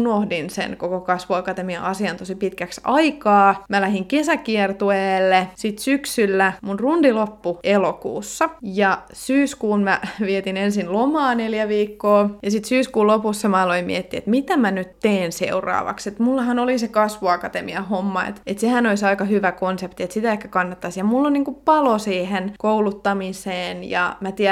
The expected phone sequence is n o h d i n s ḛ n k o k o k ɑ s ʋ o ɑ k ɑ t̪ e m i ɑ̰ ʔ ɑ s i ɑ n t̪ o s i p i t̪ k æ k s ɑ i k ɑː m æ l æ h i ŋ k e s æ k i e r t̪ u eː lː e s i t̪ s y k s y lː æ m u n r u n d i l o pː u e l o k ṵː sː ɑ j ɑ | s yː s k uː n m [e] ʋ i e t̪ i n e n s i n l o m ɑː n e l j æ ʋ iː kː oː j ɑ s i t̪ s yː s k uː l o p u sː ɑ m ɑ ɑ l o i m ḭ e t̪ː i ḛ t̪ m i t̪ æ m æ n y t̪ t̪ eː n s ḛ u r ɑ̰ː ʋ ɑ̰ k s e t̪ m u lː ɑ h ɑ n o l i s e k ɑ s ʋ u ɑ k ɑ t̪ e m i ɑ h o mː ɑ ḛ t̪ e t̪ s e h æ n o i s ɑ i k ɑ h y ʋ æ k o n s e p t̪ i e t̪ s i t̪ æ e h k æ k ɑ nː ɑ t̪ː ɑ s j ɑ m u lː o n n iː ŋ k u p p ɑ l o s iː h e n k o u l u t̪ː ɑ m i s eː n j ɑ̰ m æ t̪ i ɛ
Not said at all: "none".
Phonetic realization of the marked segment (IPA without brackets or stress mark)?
æ